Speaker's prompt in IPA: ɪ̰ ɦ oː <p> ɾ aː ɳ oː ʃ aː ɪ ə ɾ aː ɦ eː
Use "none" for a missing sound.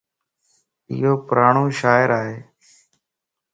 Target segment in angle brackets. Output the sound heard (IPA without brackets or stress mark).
p